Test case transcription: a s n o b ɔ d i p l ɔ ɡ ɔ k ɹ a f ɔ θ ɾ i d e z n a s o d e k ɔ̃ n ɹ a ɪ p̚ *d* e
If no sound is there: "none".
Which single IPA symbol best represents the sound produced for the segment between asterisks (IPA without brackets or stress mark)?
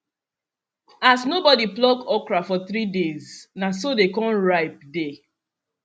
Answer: d